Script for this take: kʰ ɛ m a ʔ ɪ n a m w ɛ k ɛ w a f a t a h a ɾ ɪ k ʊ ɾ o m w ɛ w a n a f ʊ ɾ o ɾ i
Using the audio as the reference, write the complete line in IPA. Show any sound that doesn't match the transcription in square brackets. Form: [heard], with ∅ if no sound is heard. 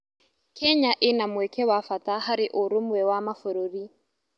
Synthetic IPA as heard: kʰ ɛ [ɲ] a ʔ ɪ n a m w ɛ k ɛ w a f a t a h a ɾ ɪ [ʔ] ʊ ɾ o m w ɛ w a [m] a f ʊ ɾ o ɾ i